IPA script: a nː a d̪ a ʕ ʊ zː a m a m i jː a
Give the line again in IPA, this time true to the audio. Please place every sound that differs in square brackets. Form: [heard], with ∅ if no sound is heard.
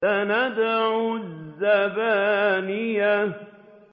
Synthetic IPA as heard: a [n] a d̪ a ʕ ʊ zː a [b] a [n] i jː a